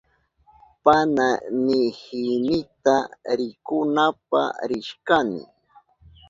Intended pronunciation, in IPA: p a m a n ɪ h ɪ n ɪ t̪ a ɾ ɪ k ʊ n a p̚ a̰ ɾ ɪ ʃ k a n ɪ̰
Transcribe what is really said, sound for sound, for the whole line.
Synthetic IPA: p a n a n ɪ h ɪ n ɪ t̪ a ɾ ɪ k ʊ n a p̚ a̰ ɾ ɪ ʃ k a n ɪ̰